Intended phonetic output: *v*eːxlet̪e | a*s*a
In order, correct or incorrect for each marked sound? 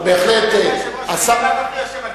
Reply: incorrect, correct

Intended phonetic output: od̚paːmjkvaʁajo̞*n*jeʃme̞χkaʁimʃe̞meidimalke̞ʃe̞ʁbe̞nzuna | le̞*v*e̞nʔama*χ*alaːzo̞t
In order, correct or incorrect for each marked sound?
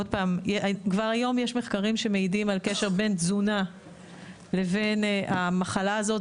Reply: incorrect, correct, correct

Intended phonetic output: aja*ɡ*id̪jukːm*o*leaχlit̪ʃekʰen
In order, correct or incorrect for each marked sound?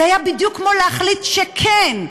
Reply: incorrect, correct

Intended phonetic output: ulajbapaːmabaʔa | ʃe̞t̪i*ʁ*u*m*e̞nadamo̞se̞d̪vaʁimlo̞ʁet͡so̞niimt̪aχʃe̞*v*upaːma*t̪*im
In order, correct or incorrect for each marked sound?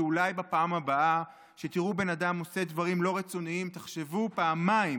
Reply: correct, incorrect, correct, incorrect

